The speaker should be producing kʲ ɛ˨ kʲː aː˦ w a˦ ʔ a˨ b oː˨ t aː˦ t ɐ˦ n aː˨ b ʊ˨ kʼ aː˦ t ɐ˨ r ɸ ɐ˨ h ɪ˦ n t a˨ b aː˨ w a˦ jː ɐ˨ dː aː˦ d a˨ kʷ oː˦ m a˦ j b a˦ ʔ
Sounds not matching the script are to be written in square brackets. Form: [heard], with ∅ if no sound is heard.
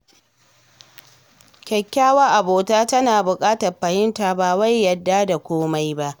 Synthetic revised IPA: kʲ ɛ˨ kʲː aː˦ w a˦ ʔ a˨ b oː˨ t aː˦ t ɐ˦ n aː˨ b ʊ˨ kʼ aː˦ t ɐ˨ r ɸ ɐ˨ h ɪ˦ n t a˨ b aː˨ w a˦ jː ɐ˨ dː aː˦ d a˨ kʷ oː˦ m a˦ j b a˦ ʔ